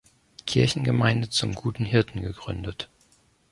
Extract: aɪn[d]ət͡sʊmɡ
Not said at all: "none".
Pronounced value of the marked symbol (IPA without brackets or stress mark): d